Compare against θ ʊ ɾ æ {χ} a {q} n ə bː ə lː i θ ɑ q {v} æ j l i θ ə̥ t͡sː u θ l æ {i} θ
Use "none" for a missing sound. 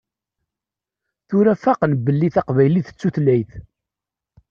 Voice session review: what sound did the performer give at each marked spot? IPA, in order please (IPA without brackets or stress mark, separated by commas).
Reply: f, q, v, j